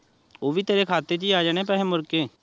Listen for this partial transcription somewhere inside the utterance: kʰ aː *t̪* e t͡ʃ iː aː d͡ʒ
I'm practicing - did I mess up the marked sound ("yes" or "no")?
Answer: no